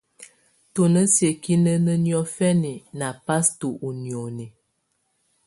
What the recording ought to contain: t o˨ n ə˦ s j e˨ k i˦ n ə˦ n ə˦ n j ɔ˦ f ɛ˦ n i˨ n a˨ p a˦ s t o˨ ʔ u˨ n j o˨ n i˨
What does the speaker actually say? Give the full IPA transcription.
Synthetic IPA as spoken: t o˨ n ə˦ s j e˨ k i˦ n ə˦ n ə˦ n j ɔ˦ f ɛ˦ n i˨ n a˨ p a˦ s t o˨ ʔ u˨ n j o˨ n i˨